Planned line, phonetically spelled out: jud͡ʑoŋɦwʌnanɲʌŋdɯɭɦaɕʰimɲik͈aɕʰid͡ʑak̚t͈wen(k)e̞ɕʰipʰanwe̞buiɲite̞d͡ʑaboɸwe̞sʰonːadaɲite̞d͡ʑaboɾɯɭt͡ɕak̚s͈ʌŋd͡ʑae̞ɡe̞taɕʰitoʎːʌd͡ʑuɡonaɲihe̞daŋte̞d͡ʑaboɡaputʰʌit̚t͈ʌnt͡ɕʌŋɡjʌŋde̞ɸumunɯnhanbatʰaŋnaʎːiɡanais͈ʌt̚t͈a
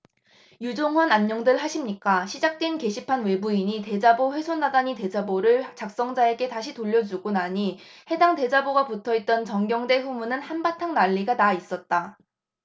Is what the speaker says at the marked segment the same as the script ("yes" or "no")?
yes